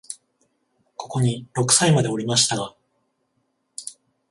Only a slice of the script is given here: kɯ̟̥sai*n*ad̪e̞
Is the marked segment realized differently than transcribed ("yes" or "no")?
yes